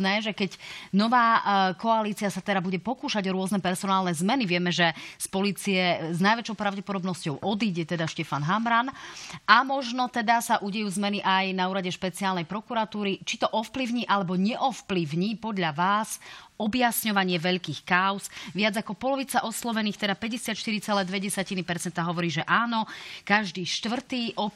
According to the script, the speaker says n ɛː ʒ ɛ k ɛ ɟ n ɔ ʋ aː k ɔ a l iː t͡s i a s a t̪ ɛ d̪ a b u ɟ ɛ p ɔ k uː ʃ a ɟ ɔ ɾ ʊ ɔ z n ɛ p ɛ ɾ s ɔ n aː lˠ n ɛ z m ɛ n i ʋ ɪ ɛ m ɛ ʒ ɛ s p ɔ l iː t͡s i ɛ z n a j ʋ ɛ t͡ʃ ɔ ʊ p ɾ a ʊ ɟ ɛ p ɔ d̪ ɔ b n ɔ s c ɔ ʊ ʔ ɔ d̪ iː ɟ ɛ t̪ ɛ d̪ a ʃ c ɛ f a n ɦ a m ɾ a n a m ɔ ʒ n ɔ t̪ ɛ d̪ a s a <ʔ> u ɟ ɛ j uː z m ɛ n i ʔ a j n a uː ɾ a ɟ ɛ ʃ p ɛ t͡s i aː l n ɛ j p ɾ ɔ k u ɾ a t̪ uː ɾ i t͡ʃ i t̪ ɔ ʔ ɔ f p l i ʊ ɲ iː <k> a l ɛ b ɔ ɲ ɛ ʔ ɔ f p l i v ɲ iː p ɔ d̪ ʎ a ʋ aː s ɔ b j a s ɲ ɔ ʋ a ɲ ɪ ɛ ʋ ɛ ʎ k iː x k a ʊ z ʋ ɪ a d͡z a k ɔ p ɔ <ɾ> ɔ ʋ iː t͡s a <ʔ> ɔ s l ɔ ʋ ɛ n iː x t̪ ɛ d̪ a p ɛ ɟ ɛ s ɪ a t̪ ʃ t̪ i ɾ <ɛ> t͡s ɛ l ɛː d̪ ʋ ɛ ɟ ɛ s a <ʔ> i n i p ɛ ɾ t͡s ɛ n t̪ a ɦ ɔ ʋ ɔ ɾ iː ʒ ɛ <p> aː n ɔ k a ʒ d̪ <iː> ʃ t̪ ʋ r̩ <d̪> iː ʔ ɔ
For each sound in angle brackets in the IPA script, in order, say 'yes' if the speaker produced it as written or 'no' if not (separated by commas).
yes, no, no, yes, no, no, no, yes, no